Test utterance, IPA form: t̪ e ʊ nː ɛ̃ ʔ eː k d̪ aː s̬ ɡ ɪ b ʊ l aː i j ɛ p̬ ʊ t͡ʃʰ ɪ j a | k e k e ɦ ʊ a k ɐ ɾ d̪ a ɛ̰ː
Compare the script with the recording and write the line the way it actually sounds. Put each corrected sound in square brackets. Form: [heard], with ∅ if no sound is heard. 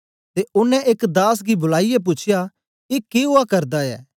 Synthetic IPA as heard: t̪ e ʊ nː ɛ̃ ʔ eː k d̪ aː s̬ ɡ [i] b ʊ l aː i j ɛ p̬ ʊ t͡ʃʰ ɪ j a | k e k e ɦ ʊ a k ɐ ɾ d̪ a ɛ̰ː